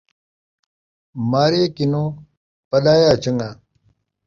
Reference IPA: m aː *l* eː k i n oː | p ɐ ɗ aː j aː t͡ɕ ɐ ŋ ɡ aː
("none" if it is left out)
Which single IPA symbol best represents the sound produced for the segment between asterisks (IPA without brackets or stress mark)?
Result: ɾ